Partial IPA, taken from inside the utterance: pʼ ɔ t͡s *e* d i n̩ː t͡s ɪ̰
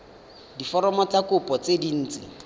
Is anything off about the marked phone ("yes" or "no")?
no